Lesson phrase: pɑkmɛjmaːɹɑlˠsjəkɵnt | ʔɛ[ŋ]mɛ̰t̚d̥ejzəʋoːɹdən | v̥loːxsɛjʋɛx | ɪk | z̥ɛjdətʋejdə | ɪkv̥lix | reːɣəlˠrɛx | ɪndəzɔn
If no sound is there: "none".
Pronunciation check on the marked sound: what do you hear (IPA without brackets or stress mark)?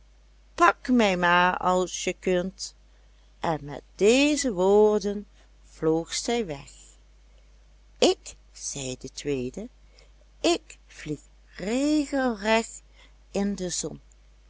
n